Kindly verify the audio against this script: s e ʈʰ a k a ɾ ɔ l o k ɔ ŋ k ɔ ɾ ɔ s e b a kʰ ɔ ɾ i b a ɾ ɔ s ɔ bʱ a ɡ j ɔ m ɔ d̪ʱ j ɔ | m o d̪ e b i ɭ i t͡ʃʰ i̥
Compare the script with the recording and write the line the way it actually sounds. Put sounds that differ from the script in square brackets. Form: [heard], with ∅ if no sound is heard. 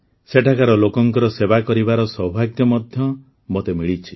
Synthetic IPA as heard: s e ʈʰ a k a ɾ ɔ l o k ɔ ŋ k ɔ ɾ ɔ s e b a [k] ɔ ɾ i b a ɾ ɔ s ɔ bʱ a ɡ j ɔ m ɔ d̪ʱ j ɔ | m o [t̪] e [m] i ɭ i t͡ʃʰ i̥

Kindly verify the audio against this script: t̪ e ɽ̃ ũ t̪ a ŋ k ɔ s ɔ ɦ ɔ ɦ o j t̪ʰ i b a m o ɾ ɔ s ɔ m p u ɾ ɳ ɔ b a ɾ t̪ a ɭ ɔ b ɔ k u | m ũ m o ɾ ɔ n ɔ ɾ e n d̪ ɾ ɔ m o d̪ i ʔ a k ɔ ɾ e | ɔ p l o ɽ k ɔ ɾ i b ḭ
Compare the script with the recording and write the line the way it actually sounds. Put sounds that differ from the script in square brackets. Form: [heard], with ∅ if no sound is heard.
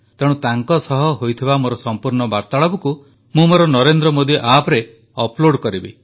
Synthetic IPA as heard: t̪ e ɽ̃ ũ t̪ a ŋ k ɔ s ɔ ɦ ɔ ɦ o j t̪ʰ i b a m o ɾ ɔ s ɔ m p u ɾ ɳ ɔ b a ɾ t̪ a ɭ ɔ b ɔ k u | m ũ m o ɾ ɔ n ɔ ɾ e n d̪ ɾ ɔ m o d̪ i ʔ a [p] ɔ ɾ e | ɔ p l o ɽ k ɔ ɾ i b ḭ

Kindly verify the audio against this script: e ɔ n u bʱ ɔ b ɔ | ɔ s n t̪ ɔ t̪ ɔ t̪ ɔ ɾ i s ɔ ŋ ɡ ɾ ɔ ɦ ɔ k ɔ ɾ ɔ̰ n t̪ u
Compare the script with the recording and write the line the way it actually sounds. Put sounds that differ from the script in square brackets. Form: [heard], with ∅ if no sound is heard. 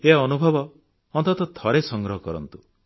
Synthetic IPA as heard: e ɔ n u bʱ ɔ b ɔ | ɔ [∅] n t̪ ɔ t̪ ɔ [t̪ʰ] ɔ ɾ [e] s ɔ ŋ ɡ ɾ ɔ ɦ ɔ k ɔ ɾ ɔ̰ n t̪ u

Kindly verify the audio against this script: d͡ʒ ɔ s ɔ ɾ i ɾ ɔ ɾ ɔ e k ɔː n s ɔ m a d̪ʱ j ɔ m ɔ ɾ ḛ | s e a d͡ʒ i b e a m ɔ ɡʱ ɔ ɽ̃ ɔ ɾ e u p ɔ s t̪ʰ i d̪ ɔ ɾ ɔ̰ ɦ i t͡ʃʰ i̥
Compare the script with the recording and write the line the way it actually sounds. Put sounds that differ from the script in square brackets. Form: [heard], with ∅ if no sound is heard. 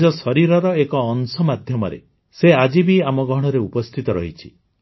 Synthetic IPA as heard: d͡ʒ ɔ s ɔ ɾ i ɾ ɔ ɾ ɔ e k ɔː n s ɔ m a d̪ʱ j ɔ m ɔ ɾ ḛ | s e a d͡ʒ i b [i] a m ɔ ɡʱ ɔ ɽ̃ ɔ ɾ e u p ɔ s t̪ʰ i [t̪] ɔ ɾ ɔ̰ ɦ i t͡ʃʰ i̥

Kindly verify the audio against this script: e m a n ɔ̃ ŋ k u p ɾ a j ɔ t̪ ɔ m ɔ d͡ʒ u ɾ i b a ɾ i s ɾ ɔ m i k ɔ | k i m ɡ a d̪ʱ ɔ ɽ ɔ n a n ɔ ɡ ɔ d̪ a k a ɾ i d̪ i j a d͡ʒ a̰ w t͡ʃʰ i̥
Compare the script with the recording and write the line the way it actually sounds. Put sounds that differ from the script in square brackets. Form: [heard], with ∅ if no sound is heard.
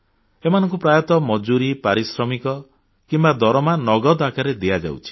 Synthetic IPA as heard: e m a n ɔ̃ ŋ k u p ɾ a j ɔ t̪ ɔ m ɔ d͡ʒ u ɾ i [p] a ɾ i s ɾ ɔ m i k ɔ | k i m [b] a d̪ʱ ɔ [ɾ] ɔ [m] a n ɔ ɡ ɔ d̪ a k a ɾ [e] d̪ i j a d͡ʒ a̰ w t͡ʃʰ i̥

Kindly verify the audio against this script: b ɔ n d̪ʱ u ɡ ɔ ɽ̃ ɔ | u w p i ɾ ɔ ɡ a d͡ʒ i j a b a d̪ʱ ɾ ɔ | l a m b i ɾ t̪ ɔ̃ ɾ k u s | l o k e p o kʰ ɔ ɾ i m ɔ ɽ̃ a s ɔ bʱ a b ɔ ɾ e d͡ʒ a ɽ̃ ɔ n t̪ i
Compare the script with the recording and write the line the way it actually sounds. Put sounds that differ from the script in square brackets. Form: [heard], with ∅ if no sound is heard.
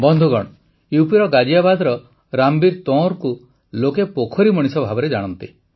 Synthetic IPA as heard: b ɔ n d̪ʱ u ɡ ɔ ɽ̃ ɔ | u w p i ɾ ɔ ɡ a d͡ʒ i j a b a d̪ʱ ɾ ɔ | [ɾ] a m b i ɾ t̪ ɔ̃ ɾ k u [∅] | l o k e p o kʰ ɔ ɾ i m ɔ ɽ̃ [i] s ɔ bʱ a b ɔ ɾ e d͡ʒ a ɽ̃ ɔ n t̪ i

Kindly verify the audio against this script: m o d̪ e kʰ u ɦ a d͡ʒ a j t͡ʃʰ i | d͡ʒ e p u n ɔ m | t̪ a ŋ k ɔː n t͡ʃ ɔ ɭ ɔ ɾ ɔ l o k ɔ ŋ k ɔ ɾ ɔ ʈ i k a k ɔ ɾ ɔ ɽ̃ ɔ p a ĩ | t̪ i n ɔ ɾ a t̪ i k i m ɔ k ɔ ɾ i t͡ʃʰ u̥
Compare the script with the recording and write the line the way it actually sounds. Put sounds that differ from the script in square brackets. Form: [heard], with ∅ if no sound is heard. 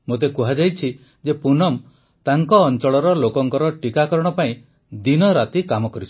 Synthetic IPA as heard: m o [t̪] e [k] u ɦ a d͡ʒ a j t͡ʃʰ i | d͡ʒ e p u n ɔ m | t̪ a ŋ k ɔː n t͡ʃ ɔ ɭ ɔ ɾ ɔ l o k ɔ ŋ k ɔ ɾ ɔ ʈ i k a k ɔ ɾ ɔ ɽ̃ ɔ p a ĩ | [d̪] i n ɔ ɾ a t̪ i k [a] m ɔ k ɔ ɾ i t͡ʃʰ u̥

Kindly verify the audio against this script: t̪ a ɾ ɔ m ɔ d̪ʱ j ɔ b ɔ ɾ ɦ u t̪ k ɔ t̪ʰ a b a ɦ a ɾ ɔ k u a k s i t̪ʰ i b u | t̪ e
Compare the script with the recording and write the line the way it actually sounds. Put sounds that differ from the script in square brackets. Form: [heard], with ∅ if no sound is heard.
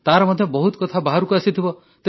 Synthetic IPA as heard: t̪ a ɾ ɔ m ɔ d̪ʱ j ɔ b ɔ [∅] ɦ u t̪ k ɔ t̪ʰ a b a ɦ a ɾ [u] k u a [∅] s i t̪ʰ i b [ɔ] | t̪ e

